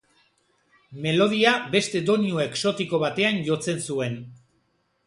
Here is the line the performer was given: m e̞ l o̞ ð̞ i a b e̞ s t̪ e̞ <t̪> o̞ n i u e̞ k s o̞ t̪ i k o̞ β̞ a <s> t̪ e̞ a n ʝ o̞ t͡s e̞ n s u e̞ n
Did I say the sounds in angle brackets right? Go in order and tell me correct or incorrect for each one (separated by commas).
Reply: incorrect, incorrect